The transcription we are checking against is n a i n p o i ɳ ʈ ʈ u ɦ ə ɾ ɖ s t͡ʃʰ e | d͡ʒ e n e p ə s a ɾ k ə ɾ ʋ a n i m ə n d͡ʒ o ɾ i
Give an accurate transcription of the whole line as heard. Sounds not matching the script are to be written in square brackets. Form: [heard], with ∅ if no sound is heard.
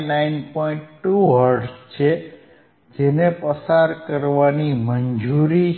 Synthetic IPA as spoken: n a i n p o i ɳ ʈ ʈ u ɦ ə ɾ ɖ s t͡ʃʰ e | d͡ʒ e n e p ə s a ɾ k ə ɾ ʋ a n i m ə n d͡ʒ [u] ɾ i